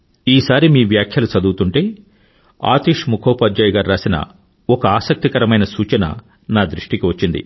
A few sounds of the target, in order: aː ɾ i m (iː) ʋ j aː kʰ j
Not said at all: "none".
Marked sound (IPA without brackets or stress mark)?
iː